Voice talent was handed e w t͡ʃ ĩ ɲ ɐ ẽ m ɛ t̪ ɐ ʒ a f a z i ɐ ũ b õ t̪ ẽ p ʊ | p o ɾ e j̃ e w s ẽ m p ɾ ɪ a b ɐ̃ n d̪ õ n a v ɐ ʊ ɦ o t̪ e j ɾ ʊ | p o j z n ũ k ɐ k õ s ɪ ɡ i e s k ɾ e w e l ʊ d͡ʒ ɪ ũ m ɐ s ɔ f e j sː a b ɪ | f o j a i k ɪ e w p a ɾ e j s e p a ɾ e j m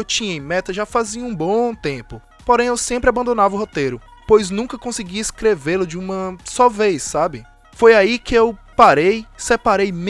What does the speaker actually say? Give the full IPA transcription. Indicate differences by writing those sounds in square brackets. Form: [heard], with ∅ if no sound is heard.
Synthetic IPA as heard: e w t͡ʃ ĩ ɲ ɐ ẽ m ɛ t̪ ɐ ʒ a f a z i ɐ ũ b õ t̪ ẽ p ʊ | p o ɾ [ẽ] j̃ e w s ẽ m p ɾ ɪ a b ɐ̃ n d̪ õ n a v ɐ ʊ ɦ o t̪ e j ɾ ʊ | p o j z n ũ k ɐ k õ s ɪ ɡ i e s k ɾ e [v] e l ʊ d͡ʒ ɪ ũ m ɐ s ɔ [v] e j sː a b ɪ | f o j a i k ɪ e w p a ɾ e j s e p a ɾ e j m